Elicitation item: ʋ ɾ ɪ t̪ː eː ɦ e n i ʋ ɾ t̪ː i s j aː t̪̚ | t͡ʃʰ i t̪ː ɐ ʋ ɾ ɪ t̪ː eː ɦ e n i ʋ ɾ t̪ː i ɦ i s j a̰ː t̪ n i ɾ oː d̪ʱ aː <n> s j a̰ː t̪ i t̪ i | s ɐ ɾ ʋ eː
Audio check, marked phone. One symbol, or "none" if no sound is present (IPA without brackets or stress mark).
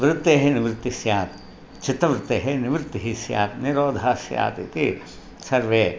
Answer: none